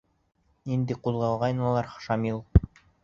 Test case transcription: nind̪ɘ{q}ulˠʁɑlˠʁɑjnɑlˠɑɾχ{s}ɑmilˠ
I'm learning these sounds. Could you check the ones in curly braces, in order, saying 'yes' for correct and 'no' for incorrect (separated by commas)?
yes, no